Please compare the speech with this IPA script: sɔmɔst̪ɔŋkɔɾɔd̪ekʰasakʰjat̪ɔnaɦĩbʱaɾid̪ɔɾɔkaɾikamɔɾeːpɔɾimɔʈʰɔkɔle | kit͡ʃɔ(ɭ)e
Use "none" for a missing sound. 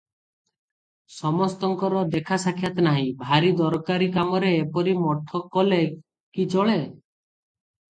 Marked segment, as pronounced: ɭ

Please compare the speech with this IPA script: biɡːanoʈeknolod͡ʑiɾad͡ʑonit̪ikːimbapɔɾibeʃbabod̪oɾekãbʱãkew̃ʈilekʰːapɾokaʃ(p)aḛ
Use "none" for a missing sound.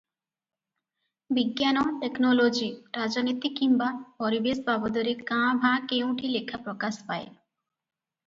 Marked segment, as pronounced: p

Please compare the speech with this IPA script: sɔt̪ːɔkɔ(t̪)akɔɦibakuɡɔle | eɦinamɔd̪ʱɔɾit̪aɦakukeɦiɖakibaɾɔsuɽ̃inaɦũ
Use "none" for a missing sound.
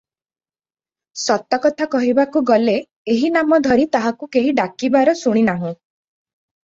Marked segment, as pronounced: t̪ʰ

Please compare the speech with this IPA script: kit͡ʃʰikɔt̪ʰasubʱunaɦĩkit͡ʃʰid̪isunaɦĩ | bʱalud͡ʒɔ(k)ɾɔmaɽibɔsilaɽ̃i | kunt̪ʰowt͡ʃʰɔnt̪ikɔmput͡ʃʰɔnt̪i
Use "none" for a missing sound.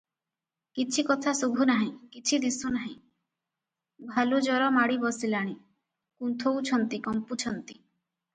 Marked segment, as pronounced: none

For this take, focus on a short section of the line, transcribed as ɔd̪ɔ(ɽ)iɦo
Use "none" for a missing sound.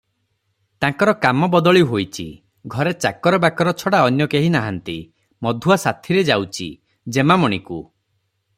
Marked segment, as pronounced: ɭ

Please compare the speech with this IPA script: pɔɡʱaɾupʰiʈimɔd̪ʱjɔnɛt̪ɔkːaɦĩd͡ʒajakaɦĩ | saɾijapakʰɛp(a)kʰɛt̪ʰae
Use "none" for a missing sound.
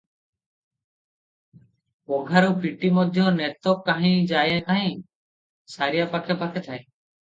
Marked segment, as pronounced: a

